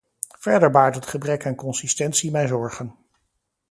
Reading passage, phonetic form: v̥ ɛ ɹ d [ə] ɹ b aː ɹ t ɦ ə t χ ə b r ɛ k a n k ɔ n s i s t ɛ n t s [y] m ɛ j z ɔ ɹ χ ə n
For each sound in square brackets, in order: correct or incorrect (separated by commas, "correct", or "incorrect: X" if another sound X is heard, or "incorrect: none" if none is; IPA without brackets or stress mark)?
correct, incorrect: i